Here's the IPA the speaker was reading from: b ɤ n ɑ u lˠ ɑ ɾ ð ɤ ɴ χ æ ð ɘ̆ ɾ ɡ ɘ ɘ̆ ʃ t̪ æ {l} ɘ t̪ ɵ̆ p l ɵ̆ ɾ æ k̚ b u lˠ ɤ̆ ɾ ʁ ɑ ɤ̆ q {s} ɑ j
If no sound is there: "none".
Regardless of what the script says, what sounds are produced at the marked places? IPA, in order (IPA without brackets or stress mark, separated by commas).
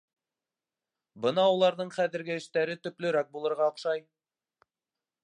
ɾ, ʃ